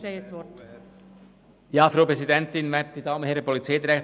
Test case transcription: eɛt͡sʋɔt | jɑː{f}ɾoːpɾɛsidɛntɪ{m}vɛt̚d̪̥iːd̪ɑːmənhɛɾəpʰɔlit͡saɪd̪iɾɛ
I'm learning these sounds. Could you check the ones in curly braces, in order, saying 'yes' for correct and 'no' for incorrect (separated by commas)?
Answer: yes, no